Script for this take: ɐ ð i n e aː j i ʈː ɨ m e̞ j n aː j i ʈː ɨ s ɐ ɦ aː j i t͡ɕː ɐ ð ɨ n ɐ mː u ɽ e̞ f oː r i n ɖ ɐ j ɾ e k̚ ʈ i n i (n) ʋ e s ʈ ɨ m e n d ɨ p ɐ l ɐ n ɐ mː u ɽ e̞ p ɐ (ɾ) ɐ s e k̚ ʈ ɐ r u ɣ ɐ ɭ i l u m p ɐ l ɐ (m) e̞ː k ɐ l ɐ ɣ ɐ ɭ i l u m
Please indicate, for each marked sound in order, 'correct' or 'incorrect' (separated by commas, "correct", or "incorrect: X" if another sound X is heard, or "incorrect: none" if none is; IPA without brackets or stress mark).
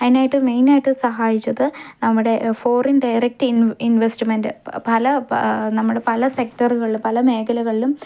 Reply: correct, incorrect: l, correct